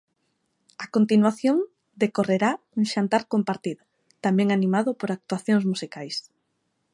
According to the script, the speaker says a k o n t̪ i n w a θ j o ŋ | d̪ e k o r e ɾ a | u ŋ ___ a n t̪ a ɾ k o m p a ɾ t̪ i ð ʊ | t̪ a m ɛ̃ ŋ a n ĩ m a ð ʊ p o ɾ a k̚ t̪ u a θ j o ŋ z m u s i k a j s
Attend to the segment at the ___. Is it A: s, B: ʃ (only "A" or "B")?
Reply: B